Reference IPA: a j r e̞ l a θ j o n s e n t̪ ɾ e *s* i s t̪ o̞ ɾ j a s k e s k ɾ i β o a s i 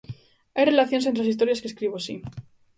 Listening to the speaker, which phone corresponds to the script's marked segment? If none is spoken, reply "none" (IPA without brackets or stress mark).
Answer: s